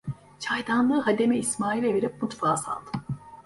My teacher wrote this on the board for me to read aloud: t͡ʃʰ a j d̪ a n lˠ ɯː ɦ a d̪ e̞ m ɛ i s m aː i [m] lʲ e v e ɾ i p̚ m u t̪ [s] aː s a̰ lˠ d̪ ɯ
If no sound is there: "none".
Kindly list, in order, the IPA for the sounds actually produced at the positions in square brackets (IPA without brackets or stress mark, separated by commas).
none, f